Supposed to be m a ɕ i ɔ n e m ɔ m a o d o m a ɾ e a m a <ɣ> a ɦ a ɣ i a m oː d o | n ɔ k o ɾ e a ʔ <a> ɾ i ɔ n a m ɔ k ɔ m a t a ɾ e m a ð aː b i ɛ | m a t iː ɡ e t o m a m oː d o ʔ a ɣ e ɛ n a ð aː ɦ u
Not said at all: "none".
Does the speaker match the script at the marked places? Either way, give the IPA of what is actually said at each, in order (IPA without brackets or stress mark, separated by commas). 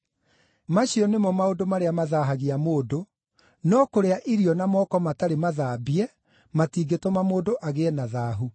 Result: ð, i